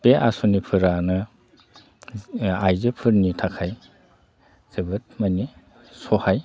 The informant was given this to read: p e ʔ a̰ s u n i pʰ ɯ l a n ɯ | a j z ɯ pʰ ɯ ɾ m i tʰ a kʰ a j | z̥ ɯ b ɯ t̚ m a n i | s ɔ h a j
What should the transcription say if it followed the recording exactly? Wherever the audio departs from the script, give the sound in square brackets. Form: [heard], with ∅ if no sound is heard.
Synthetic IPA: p e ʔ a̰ s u n i pʰ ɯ [ɾ] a n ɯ | a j z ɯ pʰ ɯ ɾ [n] i tʰ a kʰ a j | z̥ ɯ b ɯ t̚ m a n i | s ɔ h a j